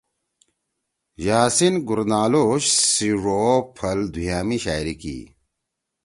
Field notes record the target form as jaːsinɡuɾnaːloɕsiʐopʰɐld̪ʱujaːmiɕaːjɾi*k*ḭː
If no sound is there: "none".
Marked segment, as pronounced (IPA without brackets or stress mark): k